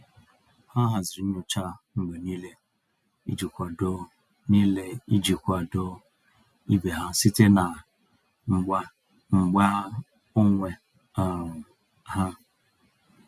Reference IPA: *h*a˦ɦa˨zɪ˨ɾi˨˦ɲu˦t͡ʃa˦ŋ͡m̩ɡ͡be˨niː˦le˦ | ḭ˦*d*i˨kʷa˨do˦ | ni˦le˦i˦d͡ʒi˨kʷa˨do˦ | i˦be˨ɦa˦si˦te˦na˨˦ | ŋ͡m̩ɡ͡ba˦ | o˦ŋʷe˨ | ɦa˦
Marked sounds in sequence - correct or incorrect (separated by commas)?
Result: correct, incorrect